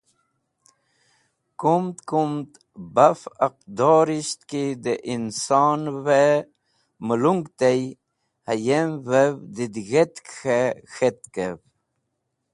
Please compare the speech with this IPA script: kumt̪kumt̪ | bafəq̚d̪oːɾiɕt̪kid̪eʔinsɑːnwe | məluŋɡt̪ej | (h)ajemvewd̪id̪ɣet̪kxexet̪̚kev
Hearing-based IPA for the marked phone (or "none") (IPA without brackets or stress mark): h